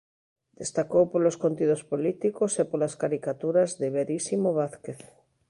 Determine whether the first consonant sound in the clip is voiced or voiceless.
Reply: voiced